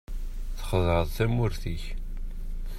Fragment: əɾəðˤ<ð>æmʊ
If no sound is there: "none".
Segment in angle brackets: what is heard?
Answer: θ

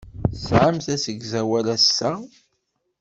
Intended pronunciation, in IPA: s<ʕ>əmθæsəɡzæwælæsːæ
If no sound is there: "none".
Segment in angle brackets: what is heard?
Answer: ʕ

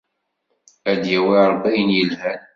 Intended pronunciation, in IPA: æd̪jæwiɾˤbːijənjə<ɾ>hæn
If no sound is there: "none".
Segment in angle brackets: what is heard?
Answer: l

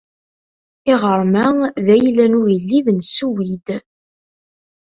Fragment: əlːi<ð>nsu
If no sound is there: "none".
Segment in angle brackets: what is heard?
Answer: ð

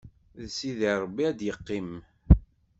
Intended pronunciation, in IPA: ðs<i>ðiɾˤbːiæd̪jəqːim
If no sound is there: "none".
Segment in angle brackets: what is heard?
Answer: i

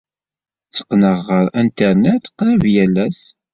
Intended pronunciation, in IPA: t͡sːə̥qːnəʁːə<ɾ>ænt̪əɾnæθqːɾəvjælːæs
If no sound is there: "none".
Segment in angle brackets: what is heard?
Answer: ɾ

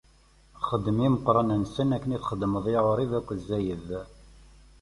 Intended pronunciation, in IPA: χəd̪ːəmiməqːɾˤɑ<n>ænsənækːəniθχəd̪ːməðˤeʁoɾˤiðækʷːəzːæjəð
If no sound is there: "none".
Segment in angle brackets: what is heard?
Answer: n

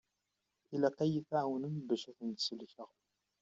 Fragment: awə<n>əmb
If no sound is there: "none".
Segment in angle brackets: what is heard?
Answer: n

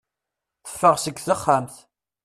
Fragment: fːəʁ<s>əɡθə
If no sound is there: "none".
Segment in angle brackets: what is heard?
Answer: s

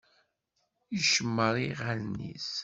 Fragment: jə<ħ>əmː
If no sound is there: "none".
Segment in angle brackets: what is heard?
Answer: ʃ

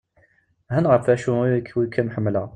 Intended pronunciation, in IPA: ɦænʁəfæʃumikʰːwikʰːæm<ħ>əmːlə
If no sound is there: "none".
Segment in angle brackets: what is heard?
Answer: ħ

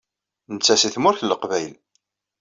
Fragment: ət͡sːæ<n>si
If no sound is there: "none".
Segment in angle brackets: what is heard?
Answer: none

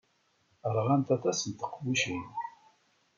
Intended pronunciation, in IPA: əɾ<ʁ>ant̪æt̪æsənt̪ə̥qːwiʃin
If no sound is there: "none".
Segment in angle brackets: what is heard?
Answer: ʁ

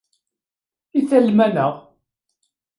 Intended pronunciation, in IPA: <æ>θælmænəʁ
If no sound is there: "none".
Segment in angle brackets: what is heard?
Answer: i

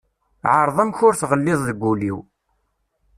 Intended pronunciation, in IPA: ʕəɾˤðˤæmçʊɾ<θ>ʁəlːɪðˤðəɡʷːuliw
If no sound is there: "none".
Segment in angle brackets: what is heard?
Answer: θ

